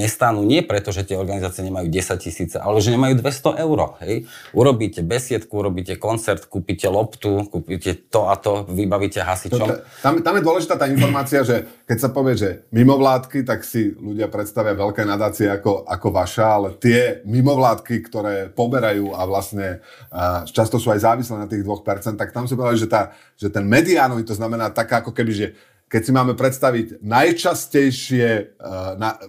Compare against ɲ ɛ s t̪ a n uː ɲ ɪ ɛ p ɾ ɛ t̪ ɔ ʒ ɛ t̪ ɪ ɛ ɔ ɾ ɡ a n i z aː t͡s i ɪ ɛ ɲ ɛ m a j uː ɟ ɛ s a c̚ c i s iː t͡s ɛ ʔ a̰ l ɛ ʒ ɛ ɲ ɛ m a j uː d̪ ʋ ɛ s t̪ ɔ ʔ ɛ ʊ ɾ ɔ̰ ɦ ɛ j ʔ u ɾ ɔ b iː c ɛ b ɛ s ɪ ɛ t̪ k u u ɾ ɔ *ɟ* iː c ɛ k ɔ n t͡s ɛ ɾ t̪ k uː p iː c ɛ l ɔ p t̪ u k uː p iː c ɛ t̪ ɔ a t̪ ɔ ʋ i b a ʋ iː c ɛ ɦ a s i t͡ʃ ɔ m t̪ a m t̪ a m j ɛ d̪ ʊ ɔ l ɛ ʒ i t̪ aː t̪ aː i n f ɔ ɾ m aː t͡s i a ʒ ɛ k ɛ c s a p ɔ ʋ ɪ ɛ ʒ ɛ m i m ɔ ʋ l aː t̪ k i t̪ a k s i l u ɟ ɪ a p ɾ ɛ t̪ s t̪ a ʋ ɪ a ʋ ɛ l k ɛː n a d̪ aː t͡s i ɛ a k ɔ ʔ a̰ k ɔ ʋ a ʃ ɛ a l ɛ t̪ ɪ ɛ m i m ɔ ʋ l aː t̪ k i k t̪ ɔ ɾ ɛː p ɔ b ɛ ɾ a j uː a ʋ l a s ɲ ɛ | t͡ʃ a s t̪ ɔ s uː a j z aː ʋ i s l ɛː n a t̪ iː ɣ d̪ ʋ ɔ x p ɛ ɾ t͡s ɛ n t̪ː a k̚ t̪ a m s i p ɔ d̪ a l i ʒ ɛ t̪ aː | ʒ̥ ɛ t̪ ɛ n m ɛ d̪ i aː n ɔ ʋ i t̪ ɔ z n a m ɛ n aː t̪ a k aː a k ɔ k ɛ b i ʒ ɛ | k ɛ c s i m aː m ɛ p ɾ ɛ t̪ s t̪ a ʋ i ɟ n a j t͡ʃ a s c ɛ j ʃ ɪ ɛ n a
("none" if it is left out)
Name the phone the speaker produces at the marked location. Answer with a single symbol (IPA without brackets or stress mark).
b